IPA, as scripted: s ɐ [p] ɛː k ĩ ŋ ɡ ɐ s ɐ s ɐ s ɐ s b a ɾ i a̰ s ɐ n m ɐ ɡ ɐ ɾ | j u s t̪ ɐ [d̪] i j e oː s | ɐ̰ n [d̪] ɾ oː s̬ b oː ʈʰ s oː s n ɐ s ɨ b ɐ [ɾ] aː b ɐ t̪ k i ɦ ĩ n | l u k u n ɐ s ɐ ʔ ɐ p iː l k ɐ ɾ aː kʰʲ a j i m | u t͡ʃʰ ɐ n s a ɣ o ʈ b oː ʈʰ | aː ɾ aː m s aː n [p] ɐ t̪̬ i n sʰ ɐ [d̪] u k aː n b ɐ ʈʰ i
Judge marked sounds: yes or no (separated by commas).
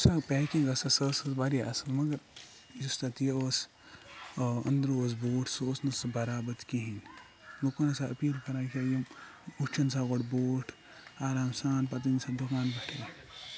yes, no, yes, yes, yes, yes